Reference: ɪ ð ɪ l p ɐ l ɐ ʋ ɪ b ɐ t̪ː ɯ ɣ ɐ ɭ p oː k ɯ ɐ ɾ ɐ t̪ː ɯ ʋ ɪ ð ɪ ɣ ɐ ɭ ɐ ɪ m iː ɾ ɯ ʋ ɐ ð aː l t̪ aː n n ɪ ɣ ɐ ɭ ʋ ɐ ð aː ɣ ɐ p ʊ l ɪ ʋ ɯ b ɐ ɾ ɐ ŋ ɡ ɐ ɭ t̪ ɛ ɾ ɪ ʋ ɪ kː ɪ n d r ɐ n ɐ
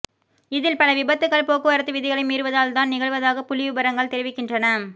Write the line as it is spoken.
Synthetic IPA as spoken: ɪ ð ɪ l p ɐ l ɐ ʋ ɪ b ɐ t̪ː ɯ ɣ ɐ ɭ p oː k ɯ ɐ ɾ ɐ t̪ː ɯ ʋ ɪ ð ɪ ɣ ɐ ɭ ɐ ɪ m iː ɾ ɯ ʋ ɐ ð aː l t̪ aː n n ɪ ɣ ɐ ɭ ʋ ɐ ð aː ɣ ɐ p ʊ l ɪ ʋ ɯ b ɐ ɾ ɐ ŋ ɡ ɐ ɭ t̪ ɛ ɾ ɪ ʋ ɪ kː ɪ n d r ɐ n ɐ

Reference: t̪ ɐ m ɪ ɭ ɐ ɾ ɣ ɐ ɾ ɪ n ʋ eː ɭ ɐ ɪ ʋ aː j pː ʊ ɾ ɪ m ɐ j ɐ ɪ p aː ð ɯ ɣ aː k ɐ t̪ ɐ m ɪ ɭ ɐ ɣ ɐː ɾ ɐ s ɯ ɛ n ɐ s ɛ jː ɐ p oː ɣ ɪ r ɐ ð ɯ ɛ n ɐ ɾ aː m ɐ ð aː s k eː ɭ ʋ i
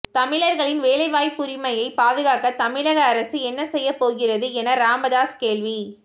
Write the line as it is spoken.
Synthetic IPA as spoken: t̪ ɐ m ɪ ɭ ɐ ɾ ɣ ɐ ɭ ɪ n ʋ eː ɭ ɐ ɪ ʋ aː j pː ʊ ɾ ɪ m ɐ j ɐ ɪ p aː ð ɯ ɣ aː k ɐ t̪ ɐ m ɪ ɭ ɐ ɣ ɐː ɾ ɐ s ɯ ɛ nː ɐ s ɛ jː ɐ p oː ɣ ɪ r ɐ ð ɯ ɛ n ɐ ɾ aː m ɐ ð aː s k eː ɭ ʋ i

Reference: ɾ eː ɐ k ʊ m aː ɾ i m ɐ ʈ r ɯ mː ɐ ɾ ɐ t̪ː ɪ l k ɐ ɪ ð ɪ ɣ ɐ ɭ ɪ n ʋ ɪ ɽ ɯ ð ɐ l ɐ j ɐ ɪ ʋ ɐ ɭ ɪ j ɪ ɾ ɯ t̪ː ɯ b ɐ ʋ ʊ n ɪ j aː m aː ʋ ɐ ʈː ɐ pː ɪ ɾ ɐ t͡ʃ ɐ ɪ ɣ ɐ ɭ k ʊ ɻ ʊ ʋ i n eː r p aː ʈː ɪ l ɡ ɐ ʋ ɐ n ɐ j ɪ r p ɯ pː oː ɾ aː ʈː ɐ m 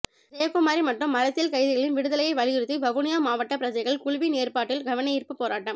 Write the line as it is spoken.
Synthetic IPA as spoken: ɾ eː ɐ k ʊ m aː ɾ i m ɐ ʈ r ɯ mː ɐ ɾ ɐ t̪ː ɪ l k ɐ ɪ ð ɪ ɣ ɐ ɭ ɪ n ʋ ɪ ɽ ɯ ð ɐ l ɐ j ɐ ɪ ʋ ɐ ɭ ɪ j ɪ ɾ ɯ t̪ː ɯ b ɐ ʋ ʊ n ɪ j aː m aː ʋ ɐ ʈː ɐ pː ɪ ɾ ɐ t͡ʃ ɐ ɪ ɣ ɐ ɭ k ʊ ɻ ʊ ʋ i n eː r p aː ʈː ɪ l ɡ ɐ ʋ ɐ n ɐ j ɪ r p ɯ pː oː ɾ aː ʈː ɐ m

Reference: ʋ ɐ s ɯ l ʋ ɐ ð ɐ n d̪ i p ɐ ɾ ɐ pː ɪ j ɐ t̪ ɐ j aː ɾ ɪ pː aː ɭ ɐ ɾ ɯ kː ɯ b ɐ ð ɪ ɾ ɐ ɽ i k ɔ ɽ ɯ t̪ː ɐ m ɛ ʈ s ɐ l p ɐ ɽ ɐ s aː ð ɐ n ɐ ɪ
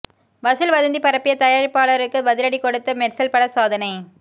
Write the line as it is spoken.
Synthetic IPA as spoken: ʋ ɐ s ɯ l ʋ ɐ ð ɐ n d̪ i p ɐ ɾ ɐ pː ɪ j ɐ t̪ ɐ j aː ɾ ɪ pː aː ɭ ɐ ɾ ɯ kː ɯ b ɐ ð ɪ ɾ ɐ ɽ i k ɔ ɽ ɯ t̪ː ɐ m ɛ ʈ s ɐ l p ɐ ɽ ɐ s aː ð ɐ n ɐ ɪ

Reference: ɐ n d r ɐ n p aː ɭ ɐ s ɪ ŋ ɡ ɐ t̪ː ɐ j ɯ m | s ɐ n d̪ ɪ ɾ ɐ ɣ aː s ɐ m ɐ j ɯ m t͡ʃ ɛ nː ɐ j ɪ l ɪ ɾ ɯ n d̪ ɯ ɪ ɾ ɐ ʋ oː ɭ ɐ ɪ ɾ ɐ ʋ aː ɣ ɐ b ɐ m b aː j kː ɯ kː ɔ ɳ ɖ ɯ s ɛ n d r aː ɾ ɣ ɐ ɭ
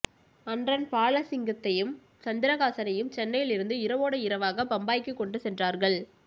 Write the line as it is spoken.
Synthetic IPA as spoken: ɐ n d r ɐ n p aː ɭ ɐ s ɪ ŋ ɡ ɐ t̪ː ɐ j ɯ m | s ɐ n d̪ ɪ ɾ ɐ ɣ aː s ɐ n ɐ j ɯ m t͡ʃ ɛ nː ɐ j ɪ l ɪ ɾ ɯ n d̪ ɯ ɪ ɾ ɐ ʋ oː ɽ ɐ ɪ ɾ ɐ ʋ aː ɣ ɐ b ɐ m b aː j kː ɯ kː ɔ ɳ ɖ ɯ s ɛ n d r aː ɾ ɣ ɐ ɭ

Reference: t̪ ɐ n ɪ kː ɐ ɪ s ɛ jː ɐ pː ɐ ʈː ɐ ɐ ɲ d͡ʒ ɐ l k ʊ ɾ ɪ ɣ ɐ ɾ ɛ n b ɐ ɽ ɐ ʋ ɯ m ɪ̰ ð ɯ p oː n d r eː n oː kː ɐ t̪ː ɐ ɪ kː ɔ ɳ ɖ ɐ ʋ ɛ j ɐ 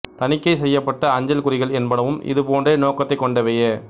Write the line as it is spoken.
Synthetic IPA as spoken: t̪ ɐ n ɪ kː ɐ ɪ s ɛ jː ɐ pː ɐ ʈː ɐ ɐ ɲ d͡ʒ ɐ l k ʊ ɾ ɪ ɣ ɐ ɭ ɛ n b ɐ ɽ ɐ ʋ ɯ m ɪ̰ ð ɯ p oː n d r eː n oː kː ɐ t̪ː ɐ ɪ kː ɔ ɳ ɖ ɐ ʋ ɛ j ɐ

